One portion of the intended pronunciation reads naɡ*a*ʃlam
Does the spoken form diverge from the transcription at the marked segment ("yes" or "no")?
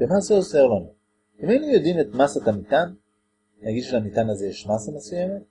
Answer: yes